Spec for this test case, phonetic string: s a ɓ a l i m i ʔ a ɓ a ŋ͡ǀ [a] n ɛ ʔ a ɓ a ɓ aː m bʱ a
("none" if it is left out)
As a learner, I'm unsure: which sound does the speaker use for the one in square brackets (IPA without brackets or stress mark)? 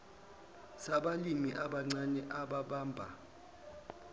a